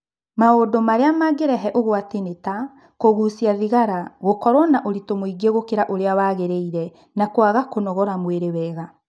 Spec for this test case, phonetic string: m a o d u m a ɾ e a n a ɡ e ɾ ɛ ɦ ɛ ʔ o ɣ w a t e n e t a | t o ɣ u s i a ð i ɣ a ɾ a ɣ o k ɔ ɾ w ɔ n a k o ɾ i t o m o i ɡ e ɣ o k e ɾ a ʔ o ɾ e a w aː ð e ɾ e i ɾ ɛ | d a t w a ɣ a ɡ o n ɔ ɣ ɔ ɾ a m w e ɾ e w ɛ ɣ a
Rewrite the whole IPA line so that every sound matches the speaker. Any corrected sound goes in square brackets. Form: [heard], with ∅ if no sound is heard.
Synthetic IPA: m a o d [o] m a ɾ e a [m] a ɡ e ɾ ɛ ɦ ɛ ʔ o ɣ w a t e n e t a | [k] o ɣ u s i a ð i ɣ a ɾ a ɣ o k ɔ ɾ w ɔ n a [ʔ] o ɾ i t o m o i ɡ e ɣ o k e ɾ a ʔ o ɾ e a w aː [ɣ] e ɾ e i ɾ ɛ | [n] a [k] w a ɣ a [k] o n ɔ ɣ ɔ ɾ a m w e ɾ e w ɛ ɣ a